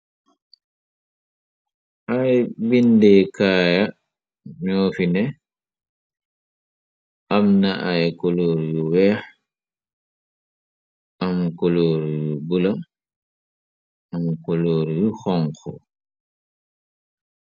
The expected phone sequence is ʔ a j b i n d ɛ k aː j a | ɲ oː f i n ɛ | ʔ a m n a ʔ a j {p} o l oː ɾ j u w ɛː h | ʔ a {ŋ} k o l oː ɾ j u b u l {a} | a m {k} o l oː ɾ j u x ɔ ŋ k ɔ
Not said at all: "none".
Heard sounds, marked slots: k, m, a, k

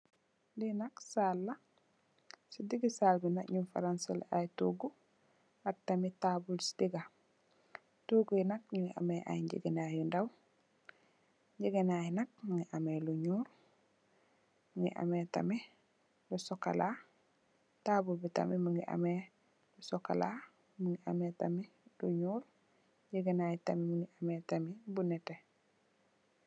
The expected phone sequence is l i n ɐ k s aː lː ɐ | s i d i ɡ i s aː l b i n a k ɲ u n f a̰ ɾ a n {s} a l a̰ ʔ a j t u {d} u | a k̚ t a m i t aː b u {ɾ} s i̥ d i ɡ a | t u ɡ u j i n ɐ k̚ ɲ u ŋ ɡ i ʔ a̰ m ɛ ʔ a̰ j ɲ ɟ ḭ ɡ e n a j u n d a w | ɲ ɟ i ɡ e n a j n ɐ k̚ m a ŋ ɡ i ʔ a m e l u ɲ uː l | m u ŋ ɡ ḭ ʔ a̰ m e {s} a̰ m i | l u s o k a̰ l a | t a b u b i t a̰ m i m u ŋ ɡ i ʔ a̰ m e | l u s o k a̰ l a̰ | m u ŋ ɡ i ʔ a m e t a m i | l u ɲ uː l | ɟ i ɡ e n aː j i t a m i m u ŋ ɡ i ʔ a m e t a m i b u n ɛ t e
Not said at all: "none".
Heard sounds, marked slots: s, ɡ, l, t

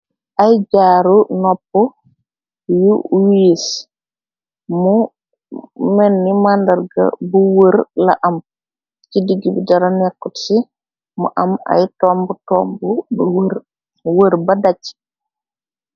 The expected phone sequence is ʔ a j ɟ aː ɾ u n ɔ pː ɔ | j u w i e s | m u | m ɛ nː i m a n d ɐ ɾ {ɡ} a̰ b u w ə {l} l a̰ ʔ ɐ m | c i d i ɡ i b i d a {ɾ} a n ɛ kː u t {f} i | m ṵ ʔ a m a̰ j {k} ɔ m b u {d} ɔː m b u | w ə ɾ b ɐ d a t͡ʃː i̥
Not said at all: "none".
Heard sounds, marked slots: ɡ, ɾ, ɾ, s, t, t

